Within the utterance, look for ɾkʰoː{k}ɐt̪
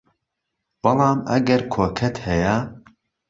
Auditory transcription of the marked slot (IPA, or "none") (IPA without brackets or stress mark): kʰ